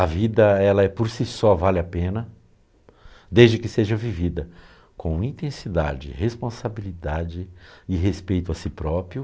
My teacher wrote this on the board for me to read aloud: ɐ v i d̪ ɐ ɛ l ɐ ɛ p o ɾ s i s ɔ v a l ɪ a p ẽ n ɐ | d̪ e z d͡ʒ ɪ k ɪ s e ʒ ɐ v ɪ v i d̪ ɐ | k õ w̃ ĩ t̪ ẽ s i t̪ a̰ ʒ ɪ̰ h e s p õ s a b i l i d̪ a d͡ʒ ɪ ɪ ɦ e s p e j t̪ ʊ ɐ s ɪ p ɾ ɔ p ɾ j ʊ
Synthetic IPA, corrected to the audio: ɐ v i d̪ ɐ ɛ l ɐ ɛ p o ɾ s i s ɔ v a l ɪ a p ẽ n ɐ | d̪ e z d͡ʒ ɪ k ɪ s e ʒ ɐ v i v i d̪ ɐ | k õ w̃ ĩ t̪ ẽ s i d̪ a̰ d͡ʒ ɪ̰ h e s p õ s a b i l i d̪ a d͡ʒ ɪ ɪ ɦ e s p e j t̪ ʊ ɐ s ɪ p ɾ ɔ p ɾ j ʊ